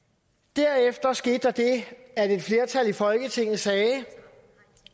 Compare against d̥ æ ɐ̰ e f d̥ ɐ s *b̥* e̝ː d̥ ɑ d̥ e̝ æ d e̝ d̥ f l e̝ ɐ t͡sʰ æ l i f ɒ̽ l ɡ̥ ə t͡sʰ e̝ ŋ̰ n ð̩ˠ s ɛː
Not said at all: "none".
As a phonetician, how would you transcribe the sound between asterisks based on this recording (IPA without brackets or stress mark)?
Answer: ɡ̥